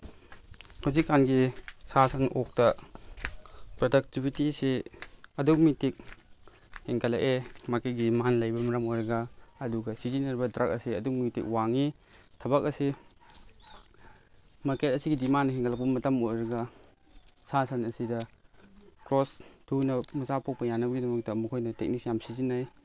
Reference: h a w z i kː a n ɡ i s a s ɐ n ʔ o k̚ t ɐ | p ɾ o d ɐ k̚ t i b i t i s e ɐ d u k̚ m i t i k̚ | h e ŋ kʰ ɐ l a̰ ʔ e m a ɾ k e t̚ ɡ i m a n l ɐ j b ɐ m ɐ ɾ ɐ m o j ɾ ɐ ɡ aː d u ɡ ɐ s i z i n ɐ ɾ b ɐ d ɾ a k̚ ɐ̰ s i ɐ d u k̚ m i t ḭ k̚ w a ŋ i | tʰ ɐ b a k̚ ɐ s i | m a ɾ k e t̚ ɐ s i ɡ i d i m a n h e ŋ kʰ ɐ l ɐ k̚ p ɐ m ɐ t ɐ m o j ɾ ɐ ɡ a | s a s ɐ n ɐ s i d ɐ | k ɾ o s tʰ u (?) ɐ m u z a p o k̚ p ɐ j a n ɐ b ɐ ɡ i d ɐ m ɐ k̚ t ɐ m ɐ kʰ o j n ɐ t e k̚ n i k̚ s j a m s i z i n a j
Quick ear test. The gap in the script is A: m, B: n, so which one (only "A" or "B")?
B